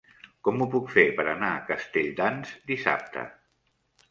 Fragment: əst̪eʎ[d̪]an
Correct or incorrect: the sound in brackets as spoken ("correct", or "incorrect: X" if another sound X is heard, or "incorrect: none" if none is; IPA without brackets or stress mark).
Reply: correct